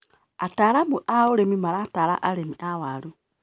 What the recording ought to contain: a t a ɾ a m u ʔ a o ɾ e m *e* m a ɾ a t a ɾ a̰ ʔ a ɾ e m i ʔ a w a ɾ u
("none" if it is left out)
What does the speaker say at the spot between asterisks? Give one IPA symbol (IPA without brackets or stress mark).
i